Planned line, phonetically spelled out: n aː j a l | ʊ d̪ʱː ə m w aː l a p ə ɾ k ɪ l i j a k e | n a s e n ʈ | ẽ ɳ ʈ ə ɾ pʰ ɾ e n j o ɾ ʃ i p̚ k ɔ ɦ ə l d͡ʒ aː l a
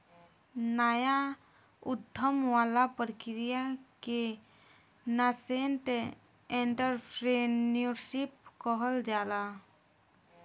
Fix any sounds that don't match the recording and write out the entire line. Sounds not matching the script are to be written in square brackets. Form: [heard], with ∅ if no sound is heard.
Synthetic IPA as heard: n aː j a [∅] | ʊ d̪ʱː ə m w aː l a p ə ɾ k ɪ [ɾ] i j a k e | n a s e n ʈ | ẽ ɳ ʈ ə ɾ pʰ ɾ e n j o ɾ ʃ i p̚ k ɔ ɦ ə l d͡ʒ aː l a